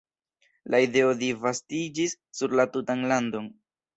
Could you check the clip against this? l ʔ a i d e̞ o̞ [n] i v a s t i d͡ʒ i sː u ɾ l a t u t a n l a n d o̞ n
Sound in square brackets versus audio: incorrect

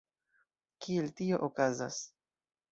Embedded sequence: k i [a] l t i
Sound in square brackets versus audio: incorrect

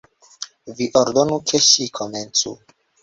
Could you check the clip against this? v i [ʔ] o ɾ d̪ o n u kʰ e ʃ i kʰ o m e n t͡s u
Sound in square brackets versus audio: correct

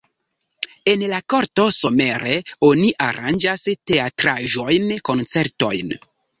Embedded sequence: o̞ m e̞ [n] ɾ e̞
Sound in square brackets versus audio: incorrect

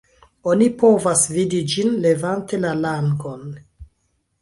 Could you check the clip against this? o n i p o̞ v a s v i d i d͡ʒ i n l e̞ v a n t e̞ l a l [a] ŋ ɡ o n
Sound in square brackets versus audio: correct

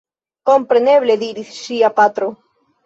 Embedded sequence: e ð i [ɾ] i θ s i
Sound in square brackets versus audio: correct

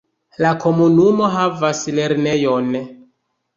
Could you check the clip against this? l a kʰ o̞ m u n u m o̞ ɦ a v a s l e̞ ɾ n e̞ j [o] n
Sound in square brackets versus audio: correct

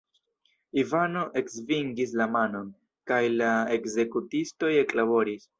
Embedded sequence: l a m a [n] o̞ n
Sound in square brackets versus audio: correct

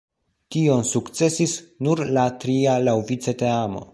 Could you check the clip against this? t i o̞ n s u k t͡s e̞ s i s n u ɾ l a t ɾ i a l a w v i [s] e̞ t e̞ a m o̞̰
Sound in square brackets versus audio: incorrect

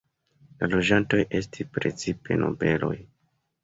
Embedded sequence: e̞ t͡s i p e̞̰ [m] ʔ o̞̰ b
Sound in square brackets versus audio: incorrect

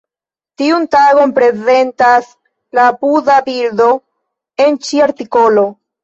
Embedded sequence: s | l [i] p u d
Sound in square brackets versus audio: incorrect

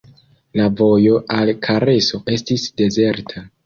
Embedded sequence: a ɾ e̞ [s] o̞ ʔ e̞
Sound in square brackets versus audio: correct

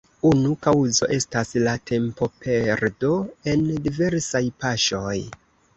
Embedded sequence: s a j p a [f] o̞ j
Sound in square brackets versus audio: incorrect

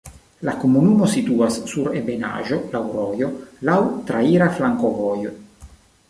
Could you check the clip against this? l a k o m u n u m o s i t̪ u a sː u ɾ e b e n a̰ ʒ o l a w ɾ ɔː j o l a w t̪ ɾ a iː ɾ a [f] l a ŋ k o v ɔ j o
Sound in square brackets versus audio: correct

